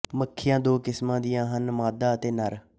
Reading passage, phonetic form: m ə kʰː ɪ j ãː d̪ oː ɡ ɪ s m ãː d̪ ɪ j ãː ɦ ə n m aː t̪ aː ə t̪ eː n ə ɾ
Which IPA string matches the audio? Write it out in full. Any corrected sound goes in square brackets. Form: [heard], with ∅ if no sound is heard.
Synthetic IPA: m ə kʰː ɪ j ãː d̪ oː [k] ɪ s m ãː d̪ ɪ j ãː ɦ ə n m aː [d̪] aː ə t̪ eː n ə ɾ